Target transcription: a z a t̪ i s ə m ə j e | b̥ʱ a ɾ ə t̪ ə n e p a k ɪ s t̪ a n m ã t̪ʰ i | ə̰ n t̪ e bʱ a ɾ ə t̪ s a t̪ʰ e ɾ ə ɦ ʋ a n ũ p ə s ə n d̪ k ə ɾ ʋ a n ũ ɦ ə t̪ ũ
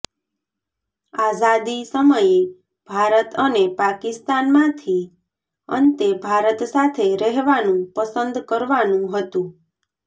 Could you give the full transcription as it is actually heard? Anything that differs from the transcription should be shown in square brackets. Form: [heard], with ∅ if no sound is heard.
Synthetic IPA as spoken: a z a [d̪] i s ə m ə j e | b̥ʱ a ɾ ə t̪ ə n e p a k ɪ s t̪ a n m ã t̪ʰ i | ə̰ n t̪ e bʱ a ɾ ə t̪ s a t̪ʰ e ɾ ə ɦ ʋ a n ũ p ə s ə n d̪ k ə ɾ ʋ a n ũ ɦ ə t̪ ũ